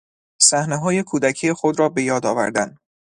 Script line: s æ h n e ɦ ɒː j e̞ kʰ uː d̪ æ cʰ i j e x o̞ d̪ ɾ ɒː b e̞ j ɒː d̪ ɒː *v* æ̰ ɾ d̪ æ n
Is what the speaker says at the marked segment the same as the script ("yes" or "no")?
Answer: yes